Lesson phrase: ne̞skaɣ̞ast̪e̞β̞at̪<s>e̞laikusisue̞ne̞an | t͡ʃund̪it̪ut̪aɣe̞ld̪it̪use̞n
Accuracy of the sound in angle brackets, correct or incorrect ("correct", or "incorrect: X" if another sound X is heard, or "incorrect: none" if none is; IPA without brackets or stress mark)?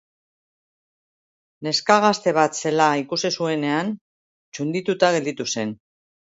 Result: correct